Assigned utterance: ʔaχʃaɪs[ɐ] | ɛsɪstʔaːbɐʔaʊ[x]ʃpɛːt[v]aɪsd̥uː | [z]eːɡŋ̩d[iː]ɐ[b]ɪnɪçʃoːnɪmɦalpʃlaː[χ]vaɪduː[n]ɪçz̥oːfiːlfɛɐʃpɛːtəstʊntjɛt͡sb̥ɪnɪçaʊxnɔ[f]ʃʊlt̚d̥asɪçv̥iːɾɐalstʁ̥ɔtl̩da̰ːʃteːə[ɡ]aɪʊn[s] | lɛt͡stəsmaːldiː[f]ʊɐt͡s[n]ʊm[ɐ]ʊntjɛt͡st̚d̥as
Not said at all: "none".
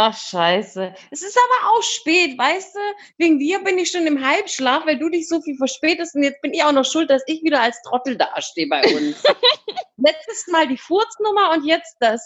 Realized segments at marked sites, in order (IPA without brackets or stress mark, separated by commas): ə, x, v, v, iː, b, f, d, χ, b, s, f, n, ɐ